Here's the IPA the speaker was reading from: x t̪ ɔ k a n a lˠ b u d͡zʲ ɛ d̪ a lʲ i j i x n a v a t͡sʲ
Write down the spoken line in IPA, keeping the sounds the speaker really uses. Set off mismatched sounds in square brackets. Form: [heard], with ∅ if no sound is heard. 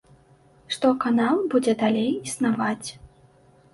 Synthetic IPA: [ʂ] t̪ ɔ k a n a lˠ b u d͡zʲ ɛ d̪ a lʲ [e] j i [s] n a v a t͡sʲ